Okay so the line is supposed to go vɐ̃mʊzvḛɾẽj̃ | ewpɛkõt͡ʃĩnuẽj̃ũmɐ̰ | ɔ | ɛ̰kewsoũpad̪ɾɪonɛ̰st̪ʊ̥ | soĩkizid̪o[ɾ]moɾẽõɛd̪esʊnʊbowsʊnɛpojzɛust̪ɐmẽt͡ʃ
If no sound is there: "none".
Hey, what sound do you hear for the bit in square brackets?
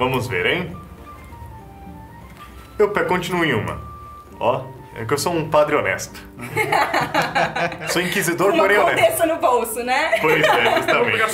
ɾ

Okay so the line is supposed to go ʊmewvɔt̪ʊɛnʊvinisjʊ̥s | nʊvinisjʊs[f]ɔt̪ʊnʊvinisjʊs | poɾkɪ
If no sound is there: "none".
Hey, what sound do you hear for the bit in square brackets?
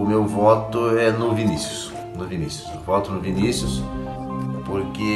v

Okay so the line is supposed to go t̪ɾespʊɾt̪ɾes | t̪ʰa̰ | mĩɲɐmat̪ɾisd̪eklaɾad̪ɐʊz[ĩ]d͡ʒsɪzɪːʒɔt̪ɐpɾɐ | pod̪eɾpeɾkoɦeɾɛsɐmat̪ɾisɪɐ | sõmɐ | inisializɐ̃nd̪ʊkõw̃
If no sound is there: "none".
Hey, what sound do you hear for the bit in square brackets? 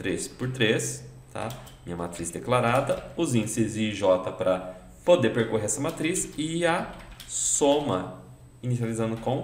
ĩ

